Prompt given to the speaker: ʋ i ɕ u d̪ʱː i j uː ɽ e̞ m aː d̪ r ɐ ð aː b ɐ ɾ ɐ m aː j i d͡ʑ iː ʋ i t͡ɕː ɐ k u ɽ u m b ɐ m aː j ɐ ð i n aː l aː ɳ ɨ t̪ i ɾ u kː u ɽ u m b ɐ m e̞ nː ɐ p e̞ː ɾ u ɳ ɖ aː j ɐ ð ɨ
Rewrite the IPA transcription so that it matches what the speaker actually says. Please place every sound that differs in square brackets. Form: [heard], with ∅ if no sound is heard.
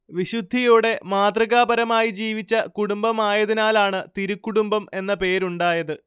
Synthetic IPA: ʋ i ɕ u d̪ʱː i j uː ɽ e̞ m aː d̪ r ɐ [ɣ] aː b ɐ ɾ ɐ m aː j i d͡ʑ iː ʋ i t͡ɕː ɐ k u ɽ u m b ɐ m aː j ɐ ð i n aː l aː ɳ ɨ t̪ i ɾ u kː u ɽ u m b ɐ m e̞ nː ɐ p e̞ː ɾ u ɳ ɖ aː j ɐ ð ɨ